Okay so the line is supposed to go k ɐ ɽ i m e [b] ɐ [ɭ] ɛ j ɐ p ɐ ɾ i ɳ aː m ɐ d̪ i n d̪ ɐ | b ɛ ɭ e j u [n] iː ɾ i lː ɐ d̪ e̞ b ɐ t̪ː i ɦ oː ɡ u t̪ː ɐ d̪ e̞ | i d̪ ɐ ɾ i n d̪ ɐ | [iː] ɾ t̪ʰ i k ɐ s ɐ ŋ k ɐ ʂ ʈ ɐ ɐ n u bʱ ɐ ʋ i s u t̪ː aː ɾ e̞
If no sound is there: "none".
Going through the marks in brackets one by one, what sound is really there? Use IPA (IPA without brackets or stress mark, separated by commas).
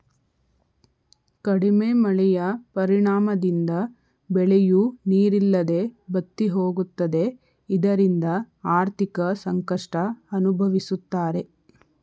m, ɭ, n, aː